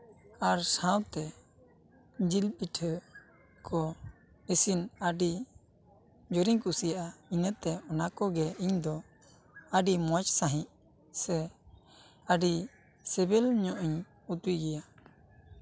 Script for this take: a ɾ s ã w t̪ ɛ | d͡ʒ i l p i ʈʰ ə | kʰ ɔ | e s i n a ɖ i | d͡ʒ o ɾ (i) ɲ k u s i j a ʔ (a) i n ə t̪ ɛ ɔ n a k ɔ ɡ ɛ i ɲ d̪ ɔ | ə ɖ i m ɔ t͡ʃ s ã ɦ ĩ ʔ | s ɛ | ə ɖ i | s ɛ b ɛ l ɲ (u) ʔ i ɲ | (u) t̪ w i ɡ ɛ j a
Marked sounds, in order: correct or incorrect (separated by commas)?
correct, correct, incorrect, correct